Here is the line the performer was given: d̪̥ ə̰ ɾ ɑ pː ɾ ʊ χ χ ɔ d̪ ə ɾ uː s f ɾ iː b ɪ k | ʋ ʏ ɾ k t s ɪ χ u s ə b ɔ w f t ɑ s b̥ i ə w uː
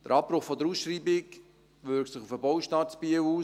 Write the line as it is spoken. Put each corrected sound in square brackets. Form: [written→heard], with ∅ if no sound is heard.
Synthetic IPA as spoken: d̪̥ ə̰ ɾ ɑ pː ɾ ʊ χ [χ→f] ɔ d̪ ə ɾ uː s [f→ʃ] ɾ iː b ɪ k | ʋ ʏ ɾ k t s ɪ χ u [s→f] ə b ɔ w [f→ʃ] t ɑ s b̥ i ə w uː